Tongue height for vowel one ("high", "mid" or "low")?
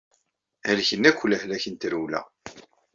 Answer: low